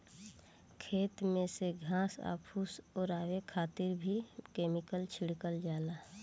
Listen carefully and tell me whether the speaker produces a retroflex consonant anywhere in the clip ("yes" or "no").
yes